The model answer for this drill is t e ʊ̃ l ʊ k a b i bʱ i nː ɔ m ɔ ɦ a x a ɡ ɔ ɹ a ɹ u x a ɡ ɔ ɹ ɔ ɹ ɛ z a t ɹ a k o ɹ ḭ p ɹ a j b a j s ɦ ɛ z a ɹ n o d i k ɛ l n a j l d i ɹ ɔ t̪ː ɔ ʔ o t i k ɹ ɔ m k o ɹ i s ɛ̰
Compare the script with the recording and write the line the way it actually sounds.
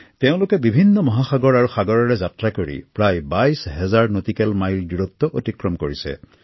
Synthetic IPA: t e ʊ̃ l ʊ k ɛ b i bʱ i nː ɔ m ɔ ɦ a x a ɡ ɔ ɹ a ɹ u x a ɡ ɔ ɹ ɔ ɹ ɛ z a t ɹ a k o ɹ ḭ p ɹ a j b a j s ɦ ɛ z a ɹ n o t i k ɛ l m a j l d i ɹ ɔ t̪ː ɔ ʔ o t i k ɹ ɔ m k o ɹ i s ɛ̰